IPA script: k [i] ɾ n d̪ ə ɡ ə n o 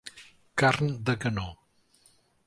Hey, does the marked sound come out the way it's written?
no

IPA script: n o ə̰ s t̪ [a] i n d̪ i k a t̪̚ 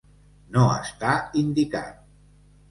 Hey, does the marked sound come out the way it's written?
yes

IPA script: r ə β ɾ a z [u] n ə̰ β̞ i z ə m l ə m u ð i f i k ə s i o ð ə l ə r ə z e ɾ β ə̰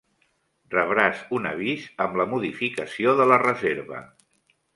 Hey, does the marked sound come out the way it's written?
yes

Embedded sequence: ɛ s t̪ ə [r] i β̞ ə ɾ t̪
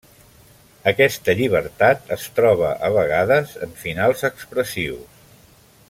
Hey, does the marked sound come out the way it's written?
no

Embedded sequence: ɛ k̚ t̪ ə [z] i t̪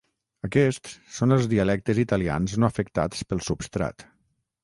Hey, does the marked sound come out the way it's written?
yes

